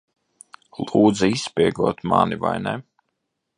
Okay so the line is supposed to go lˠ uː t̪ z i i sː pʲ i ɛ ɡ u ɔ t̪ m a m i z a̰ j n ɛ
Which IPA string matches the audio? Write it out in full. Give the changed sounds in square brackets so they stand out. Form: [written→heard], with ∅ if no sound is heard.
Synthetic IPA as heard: lˠ uː [t̪→d̪] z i i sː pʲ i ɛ ɡ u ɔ t̪ m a [m→n] i [z→v] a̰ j n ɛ